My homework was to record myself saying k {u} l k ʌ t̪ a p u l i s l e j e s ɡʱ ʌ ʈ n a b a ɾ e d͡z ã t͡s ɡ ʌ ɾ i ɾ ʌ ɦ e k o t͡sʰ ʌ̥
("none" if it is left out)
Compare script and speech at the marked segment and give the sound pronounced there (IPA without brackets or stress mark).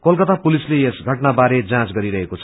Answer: o